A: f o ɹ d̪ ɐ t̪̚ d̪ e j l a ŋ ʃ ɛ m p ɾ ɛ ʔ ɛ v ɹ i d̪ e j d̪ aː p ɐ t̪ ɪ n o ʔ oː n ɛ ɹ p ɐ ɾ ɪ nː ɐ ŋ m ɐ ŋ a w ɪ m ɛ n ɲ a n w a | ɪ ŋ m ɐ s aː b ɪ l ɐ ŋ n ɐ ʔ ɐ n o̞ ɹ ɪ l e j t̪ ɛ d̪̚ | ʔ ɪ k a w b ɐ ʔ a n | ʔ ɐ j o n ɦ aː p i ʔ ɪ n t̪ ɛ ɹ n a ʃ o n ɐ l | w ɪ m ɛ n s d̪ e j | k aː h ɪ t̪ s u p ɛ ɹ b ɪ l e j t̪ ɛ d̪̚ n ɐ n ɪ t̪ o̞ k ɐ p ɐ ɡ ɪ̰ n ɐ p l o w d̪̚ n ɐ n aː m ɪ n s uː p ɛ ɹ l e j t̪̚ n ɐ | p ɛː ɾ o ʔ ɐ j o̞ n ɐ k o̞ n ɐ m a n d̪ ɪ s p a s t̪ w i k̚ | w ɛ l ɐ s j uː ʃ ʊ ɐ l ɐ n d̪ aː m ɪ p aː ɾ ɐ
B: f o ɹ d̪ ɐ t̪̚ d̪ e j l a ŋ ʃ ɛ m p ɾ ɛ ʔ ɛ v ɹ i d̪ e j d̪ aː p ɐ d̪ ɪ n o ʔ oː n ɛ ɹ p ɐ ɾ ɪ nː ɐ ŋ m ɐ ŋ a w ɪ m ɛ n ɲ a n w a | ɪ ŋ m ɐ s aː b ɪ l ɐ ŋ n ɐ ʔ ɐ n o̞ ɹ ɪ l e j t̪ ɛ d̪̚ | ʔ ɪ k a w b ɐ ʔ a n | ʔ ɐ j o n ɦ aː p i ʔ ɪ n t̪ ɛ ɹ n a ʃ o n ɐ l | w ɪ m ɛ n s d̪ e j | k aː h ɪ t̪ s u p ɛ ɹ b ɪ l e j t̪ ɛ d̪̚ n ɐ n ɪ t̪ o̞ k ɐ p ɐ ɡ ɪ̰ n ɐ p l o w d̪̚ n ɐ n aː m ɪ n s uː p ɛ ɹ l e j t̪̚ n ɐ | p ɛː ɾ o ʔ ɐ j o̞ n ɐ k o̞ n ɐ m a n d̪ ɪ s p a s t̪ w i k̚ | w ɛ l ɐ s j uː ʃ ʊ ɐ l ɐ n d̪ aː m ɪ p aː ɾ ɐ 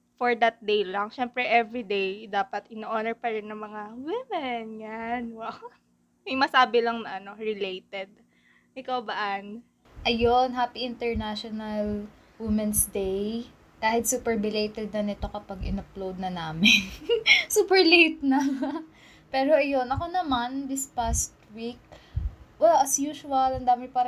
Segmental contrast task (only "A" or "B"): A